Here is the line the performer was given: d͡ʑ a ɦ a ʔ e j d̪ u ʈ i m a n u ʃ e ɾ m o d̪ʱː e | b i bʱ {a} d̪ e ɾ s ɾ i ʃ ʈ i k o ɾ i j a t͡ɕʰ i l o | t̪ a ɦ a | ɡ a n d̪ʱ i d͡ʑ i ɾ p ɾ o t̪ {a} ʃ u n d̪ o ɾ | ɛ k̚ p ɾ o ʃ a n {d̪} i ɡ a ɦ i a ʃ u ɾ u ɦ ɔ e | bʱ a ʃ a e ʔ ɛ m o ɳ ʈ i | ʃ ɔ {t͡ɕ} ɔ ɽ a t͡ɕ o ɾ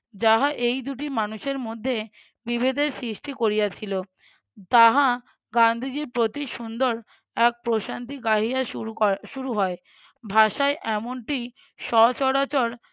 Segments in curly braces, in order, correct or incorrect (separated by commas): incorrect, incorrect, incorrect, correct